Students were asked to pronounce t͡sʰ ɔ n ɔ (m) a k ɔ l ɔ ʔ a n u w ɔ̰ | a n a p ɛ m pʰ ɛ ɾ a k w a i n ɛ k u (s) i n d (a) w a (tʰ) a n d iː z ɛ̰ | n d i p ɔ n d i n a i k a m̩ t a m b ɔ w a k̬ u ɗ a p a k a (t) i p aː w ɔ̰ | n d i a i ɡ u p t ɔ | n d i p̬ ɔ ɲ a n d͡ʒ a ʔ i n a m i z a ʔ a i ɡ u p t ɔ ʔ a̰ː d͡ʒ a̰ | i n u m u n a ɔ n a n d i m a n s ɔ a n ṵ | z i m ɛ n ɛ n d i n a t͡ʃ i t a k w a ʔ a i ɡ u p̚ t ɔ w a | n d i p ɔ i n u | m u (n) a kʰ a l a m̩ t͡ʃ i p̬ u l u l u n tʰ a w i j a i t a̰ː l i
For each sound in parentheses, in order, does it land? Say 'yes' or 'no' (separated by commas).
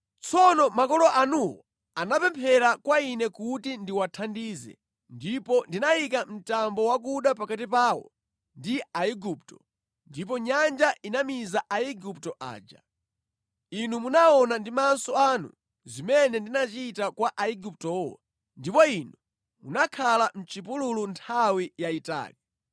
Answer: yes, no, no, yes, yes, yes